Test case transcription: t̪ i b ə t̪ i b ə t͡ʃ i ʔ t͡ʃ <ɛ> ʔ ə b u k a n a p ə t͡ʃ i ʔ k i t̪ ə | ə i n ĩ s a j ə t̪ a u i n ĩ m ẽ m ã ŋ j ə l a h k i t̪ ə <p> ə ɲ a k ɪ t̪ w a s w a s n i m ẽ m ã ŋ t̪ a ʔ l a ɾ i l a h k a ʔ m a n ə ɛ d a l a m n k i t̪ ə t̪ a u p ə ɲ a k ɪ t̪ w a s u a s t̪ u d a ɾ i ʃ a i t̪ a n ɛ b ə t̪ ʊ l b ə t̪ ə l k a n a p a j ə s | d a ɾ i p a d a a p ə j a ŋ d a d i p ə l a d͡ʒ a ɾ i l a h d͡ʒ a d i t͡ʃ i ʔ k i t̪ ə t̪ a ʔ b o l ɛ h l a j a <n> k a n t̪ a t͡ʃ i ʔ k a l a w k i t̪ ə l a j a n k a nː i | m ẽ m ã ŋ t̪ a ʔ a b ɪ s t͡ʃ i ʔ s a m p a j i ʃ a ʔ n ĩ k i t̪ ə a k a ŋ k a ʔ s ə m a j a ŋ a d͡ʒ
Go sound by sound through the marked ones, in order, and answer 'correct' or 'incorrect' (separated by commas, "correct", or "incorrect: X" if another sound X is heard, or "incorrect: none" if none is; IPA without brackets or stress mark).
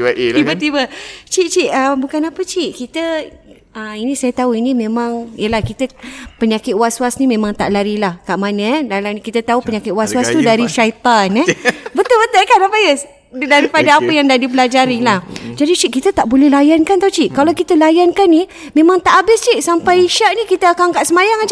incorrect: i, correct, correct